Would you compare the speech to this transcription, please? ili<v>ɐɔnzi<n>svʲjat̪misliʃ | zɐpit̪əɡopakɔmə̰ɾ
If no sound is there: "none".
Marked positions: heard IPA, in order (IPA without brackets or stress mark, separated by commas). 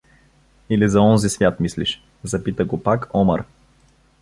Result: z, none